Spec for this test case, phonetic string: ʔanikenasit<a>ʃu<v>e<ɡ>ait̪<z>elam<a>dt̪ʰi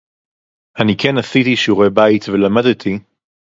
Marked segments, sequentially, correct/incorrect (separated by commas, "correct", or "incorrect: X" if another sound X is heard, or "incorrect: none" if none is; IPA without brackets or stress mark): incorrect: i, incorrect: ʁ, incorrect: b, incorrect: v, correct